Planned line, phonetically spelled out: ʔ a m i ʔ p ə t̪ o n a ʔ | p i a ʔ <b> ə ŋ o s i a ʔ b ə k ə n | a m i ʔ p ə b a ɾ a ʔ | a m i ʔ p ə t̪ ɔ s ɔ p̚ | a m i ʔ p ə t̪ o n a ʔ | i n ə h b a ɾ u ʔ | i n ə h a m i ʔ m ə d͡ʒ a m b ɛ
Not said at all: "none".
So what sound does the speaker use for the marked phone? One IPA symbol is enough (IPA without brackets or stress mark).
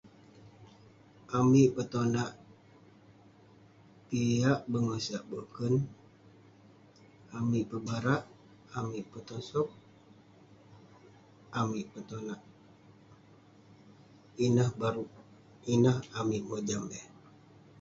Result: b